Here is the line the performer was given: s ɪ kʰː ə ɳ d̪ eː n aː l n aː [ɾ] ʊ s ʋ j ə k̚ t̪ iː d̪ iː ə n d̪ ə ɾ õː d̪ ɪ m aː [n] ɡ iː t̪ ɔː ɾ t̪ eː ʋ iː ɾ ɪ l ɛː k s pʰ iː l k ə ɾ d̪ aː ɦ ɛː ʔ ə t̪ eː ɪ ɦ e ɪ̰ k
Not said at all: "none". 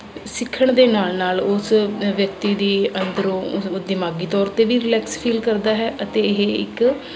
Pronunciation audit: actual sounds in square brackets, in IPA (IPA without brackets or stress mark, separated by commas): l, none